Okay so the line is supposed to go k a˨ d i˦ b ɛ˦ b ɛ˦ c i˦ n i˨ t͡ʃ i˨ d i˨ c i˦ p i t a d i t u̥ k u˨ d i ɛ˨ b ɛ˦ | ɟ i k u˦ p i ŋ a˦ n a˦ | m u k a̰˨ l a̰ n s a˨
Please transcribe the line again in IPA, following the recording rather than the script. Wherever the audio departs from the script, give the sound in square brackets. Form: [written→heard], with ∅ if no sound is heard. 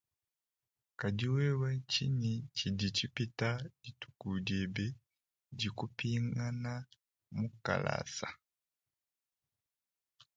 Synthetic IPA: k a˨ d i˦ [b→w] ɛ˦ [b→w] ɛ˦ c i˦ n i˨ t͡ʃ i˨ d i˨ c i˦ p i t a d i t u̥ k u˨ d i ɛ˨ b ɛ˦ | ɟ i k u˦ p i ŋ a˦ n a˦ | m u k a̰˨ l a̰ [n→∅] s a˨

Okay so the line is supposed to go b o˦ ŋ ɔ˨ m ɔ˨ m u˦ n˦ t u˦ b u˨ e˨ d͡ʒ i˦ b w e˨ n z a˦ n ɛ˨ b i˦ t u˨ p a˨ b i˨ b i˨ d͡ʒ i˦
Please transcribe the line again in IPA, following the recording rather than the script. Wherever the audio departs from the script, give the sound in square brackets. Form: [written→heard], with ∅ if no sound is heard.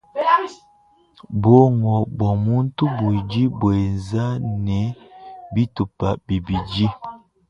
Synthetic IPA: b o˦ ŋ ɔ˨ [m→b] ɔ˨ m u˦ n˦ t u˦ b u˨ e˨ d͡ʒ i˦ b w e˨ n z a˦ n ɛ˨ b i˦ t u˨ p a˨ b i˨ b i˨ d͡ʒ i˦

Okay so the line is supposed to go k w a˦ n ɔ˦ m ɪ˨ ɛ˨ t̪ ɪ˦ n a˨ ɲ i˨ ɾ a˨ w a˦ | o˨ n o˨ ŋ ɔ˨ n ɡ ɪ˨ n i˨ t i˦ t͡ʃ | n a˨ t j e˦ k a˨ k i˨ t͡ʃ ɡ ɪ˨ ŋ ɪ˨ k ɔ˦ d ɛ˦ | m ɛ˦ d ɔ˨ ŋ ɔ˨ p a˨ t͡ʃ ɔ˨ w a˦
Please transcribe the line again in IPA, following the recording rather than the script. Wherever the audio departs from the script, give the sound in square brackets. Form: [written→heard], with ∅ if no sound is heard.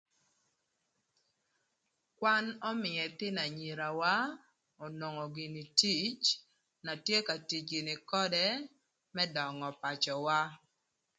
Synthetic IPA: k w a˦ n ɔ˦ m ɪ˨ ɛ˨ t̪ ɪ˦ n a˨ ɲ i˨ ɾ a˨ w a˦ | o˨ n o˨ ŋ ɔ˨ [n→∅] ɡ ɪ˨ n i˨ t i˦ t͡ʃ | n a˨ t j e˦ k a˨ [k→t] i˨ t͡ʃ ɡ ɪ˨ [ŋ→n] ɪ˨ k ɔ˦ d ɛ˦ | m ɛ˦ d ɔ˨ ŋ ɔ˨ p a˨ t͡ʃ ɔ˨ w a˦

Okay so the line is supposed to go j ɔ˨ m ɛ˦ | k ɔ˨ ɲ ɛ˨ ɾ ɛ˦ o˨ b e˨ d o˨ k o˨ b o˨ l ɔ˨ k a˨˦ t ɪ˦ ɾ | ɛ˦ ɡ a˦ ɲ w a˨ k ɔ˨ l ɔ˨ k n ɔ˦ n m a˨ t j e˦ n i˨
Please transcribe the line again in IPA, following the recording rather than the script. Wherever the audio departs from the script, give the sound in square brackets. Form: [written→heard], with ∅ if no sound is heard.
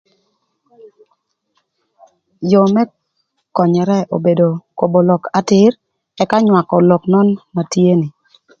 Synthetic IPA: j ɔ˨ m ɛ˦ | k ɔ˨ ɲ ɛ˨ ɾ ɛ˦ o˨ b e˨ d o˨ k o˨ b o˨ l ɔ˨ k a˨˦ t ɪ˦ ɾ | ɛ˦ [ɡ→k] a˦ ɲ w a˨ k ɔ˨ l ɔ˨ k n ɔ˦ n m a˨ t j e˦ n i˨

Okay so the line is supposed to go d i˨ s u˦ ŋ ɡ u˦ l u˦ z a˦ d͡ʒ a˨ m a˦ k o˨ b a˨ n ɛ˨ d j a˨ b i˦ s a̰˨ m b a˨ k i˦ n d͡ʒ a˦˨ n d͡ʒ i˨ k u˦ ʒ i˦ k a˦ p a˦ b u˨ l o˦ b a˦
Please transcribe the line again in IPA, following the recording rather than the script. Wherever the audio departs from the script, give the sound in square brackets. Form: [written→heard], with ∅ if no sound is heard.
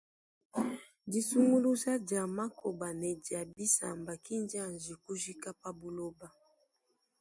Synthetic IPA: d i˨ s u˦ ŋ ɡ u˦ l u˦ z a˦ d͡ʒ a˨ m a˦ k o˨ b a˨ n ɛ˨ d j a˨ b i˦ s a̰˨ m b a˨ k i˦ n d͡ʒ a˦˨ n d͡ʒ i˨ k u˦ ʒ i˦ k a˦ p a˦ b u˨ l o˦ b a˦

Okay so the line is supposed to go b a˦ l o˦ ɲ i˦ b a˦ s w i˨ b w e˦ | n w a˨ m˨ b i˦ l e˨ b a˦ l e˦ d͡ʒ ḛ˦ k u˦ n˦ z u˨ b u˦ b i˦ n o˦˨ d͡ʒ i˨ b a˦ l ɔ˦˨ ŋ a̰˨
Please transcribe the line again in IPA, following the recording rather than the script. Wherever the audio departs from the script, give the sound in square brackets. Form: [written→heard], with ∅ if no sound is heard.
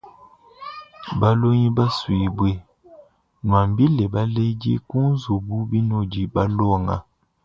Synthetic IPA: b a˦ l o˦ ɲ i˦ b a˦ s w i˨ b w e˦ | n w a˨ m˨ b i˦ l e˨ b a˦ l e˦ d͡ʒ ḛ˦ k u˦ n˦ z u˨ b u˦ b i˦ n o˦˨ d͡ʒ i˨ b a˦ l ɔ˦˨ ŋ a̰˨

